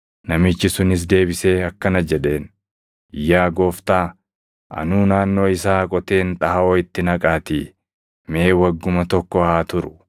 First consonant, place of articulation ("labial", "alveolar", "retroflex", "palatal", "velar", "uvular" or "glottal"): alveolar